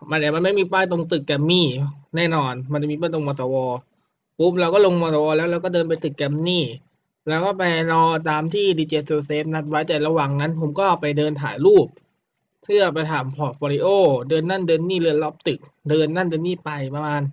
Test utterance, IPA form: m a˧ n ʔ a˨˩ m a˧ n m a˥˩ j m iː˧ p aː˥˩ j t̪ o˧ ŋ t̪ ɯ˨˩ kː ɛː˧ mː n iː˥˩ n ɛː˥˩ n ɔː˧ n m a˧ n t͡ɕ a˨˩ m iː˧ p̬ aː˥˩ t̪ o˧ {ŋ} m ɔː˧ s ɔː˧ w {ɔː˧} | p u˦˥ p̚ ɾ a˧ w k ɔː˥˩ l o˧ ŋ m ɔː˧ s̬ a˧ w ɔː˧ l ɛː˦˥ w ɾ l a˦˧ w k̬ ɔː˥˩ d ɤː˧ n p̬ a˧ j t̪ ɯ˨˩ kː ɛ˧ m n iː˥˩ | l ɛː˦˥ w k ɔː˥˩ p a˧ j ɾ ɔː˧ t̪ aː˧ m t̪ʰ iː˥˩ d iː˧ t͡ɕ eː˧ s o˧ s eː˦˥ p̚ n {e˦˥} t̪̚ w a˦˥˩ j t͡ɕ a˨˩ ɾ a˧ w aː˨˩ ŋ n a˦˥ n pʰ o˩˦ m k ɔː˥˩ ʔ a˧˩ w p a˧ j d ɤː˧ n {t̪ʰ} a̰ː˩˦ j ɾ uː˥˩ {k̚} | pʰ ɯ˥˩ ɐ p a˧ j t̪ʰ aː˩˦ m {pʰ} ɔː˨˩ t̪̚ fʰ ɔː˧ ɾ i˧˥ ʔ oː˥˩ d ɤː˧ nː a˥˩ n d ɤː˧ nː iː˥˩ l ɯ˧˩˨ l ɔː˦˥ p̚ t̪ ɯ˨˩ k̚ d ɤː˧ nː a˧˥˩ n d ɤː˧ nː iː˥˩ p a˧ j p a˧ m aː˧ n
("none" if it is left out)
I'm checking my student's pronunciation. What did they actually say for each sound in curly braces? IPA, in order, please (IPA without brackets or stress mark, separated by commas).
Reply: ŋ, ɔː˧, a˦˥, t̪ʰ, p̚, pʰ